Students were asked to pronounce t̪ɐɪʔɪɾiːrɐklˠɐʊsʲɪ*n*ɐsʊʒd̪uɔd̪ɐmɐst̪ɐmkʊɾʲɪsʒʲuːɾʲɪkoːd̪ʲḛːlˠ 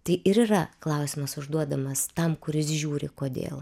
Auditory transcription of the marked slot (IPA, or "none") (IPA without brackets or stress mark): m